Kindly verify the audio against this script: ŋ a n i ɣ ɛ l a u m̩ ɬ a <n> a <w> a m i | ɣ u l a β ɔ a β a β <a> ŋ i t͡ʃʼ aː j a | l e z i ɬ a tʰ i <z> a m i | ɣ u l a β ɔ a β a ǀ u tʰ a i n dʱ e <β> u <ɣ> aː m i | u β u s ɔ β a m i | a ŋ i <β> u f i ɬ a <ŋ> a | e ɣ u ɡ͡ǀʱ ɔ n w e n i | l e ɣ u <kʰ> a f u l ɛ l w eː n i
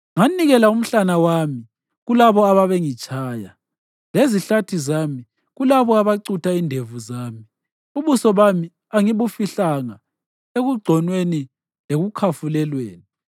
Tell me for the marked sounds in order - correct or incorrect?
correct, correct, incorrect, correct, incorrect, incorrect, correct, correct, correct

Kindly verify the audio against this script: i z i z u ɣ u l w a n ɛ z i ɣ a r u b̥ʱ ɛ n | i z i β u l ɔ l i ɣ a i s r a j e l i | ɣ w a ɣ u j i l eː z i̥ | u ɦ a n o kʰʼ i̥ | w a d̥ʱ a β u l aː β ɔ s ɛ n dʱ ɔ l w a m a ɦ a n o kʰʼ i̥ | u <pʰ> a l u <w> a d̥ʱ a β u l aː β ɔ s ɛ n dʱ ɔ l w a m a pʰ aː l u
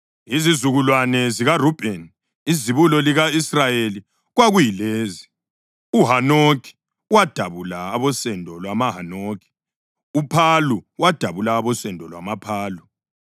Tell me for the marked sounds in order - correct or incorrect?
correct, correct

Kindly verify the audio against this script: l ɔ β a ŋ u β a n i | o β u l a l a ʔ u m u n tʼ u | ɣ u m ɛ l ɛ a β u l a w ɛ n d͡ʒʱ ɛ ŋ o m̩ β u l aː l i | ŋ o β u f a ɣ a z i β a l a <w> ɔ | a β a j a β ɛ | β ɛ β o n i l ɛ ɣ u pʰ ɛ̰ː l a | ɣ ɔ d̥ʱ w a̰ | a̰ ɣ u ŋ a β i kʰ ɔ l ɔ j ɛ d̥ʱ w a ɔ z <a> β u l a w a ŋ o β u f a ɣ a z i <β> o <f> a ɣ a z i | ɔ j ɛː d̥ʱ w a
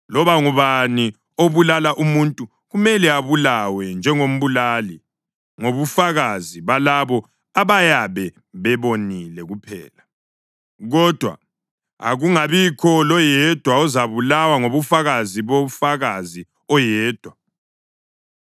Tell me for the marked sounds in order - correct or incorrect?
incorrect, correct, correct, correct

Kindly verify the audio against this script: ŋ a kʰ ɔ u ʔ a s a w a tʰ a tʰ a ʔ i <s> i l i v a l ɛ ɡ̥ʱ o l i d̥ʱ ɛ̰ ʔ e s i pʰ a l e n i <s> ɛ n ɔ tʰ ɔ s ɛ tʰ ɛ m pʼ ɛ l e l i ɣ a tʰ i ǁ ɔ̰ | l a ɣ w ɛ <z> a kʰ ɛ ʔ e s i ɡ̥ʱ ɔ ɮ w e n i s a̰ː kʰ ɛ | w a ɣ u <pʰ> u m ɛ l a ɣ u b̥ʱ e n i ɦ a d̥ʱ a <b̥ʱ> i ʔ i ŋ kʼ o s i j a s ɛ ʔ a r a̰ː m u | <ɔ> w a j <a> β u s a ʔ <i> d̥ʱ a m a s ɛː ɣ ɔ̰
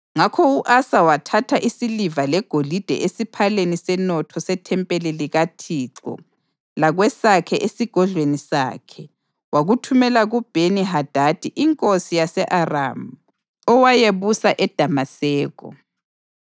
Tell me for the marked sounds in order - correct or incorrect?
correct, correct, incorrect, incorrect, incorrect, correct, incorrect, incorrect

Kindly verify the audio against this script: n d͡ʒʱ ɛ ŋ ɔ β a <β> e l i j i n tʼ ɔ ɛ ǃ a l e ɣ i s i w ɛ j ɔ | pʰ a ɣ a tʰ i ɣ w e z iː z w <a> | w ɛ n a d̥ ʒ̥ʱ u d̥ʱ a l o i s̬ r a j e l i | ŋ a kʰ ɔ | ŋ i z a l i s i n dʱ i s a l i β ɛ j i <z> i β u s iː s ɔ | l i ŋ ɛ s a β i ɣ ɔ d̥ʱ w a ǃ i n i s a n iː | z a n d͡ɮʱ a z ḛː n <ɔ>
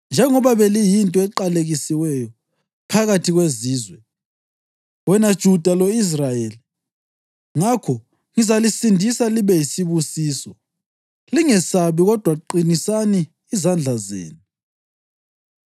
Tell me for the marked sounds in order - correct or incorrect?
correct, incorrect, incorrect, incorrect

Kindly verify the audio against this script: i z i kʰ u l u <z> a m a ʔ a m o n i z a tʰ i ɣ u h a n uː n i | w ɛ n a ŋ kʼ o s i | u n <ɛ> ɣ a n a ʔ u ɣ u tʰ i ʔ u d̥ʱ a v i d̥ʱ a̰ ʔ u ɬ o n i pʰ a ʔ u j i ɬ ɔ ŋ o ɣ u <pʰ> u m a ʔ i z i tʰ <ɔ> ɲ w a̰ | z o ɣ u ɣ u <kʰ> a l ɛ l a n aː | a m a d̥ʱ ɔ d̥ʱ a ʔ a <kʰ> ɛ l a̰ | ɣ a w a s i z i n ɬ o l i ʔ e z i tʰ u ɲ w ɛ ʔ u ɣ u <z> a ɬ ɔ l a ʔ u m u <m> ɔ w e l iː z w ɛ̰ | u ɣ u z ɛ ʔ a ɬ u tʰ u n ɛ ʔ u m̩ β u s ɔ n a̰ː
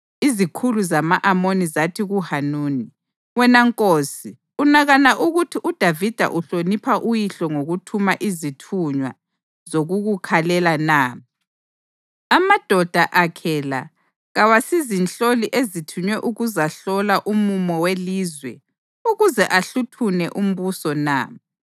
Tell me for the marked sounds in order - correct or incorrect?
correct, incorrect, incorrect, incorrect, correct, correct, correct, correct

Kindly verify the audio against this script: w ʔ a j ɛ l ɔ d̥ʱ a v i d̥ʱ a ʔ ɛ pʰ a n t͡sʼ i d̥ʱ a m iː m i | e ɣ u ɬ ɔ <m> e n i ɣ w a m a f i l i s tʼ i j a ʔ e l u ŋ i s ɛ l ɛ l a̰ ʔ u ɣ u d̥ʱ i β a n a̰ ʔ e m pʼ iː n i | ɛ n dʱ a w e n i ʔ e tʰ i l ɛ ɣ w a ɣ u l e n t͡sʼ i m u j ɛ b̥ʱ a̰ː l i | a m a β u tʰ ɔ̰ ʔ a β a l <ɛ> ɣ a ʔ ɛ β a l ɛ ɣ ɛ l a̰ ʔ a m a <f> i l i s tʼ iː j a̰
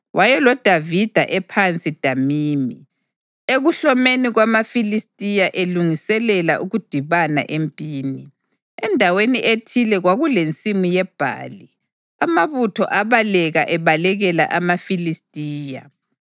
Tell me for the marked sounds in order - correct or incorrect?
correct, correct, correct

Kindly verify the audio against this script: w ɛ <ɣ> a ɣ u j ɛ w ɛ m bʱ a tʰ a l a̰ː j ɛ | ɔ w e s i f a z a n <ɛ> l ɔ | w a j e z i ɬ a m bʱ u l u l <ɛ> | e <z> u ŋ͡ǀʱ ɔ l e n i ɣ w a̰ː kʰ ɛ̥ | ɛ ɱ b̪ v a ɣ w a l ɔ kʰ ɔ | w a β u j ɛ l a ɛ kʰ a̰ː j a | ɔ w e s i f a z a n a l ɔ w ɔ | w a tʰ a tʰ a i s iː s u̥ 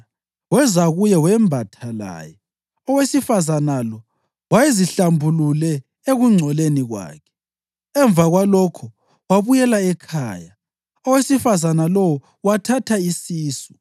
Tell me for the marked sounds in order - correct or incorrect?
incorrect, incorrect, correct, incorrect

